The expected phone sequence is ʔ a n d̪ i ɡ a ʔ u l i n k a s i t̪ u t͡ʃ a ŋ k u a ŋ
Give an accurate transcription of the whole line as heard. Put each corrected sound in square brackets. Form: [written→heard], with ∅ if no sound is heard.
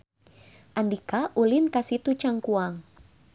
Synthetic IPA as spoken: ʔ a n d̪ i [ɡ→k] a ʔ u l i n k a s i t̪ u t͡ʃ a ŋ k u a ŋ